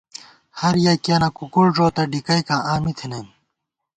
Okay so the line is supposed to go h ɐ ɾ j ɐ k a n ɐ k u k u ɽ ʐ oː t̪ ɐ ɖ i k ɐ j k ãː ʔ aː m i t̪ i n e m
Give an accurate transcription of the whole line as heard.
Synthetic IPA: h ɐ ɾ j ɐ k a n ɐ k u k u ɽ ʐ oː t̪ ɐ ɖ i k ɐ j k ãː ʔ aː m i t̪ʰ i n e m